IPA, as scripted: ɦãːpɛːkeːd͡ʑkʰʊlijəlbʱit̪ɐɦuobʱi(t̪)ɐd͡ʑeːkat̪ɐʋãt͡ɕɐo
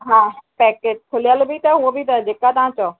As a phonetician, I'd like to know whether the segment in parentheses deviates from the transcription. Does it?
no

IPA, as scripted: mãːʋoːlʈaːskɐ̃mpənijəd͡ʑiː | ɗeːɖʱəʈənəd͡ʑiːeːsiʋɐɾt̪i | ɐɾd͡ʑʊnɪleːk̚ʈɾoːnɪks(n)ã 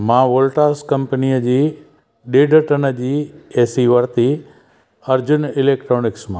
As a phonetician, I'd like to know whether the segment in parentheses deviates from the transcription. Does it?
yes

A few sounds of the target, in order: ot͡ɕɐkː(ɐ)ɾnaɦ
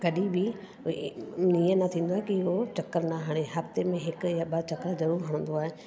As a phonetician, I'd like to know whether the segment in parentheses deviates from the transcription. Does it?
yes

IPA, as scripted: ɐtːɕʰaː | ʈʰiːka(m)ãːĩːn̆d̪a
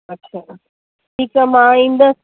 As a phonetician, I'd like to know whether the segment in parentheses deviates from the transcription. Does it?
no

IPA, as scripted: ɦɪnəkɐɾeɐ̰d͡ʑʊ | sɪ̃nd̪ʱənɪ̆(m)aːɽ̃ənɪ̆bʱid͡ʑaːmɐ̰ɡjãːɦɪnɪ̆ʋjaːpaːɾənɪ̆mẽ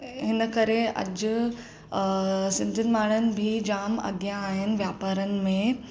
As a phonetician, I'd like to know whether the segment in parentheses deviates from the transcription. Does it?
no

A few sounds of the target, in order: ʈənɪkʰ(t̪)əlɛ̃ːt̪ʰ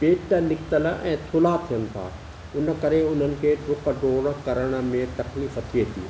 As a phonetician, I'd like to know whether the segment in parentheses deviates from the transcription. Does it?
no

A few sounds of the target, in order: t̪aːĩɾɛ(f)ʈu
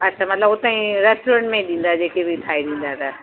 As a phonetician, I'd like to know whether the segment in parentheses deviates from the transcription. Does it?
yes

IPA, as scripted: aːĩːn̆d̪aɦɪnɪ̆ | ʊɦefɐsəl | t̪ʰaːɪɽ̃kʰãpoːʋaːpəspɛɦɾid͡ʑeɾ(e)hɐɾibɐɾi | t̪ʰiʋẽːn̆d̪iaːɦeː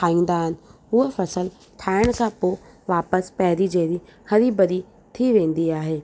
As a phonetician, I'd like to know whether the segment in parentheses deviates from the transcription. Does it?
yes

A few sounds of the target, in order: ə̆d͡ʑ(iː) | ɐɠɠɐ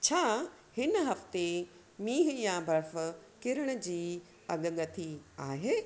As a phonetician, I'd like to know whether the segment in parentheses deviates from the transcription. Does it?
no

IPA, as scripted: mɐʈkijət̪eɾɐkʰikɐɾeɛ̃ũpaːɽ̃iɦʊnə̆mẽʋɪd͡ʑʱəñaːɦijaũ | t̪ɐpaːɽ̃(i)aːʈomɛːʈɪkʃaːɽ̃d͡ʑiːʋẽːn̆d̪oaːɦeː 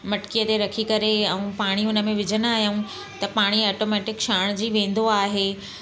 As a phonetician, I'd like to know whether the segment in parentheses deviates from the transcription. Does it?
no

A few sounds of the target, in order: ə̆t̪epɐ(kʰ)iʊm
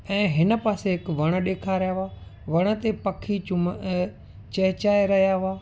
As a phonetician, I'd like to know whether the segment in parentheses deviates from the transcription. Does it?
no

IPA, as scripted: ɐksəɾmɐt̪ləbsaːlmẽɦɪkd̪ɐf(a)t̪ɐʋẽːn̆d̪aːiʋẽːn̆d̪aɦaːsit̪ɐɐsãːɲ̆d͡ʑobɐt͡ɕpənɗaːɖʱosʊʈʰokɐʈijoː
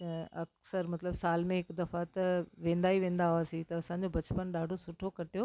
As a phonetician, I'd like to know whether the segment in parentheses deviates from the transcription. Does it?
no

